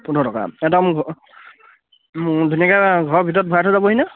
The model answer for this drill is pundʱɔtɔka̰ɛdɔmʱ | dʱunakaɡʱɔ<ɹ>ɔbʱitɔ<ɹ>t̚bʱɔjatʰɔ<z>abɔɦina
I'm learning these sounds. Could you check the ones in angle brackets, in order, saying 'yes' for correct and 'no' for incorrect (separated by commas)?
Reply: yes, no, yes